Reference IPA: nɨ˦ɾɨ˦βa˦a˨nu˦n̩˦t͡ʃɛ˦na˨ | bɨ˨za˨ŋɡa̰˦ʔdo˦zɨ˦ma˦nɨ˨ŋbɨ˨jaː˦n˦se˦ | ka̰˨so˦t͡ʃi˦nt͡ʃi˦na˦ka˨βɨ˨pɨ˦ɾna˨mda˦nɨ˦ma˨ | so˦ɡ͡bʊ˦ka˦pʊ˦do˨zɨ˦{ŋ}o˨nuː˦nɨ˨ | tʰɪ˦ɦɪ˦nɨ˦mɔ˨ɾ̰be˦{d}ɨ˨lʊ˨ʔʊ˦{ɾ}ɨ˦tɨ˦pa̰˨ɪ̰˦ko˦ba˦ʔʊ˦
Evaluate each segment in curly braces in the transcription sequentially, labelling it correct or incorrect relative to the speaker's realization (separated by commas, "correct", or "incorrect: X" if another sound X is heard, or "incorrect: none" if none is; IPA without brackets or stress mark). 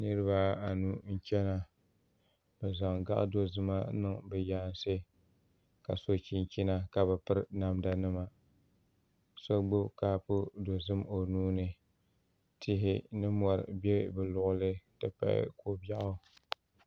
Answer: incorrect: m, incorrect: b, incorrect: l